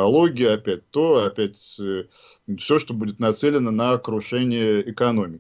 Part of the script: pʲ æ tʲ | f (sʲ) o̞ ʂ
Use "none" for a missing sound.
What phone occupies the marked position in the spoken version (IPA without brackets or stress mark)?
sʲ